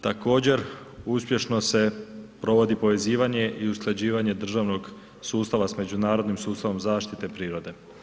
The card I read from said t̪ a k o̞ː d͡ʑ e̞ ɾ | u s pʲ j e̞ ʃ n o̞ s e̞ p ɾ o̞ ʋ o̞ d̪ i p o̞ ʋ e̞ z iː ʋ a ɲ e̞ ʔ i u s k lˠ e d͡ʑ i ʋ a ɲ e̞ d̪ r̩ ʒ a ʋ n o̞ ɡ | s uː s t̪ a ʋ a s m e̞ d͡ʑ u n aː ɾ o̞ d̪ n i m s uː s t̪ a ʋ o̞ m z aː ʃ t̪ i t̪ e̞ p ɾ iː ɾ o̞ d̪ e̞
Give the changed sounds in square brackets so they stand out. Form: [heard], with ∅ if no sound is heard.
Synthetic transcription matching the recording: t̪ a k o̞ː d͡ʑ e̞ ɾ | u s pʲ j e̞ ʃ n o̞ s e̞ p ɾ o̞ ʋ o̞ d̪ i p o̞ ʋ e̞ z iː ʋ a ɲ e̞ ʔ i u s k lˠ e d͡ʑ [iː] ʋ a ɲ e̞ d̪ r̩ ʒ a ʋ n o̞ ɡ | s uː s t̪ a ʋ a s m e̞ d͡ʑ u n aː ɾ o̞ d̪ n i m s uː s t̪ a ʋ o̞ m z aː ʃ t̪ i t̪ e̞ p ɾ iː ɾ o̞ d̪ e̞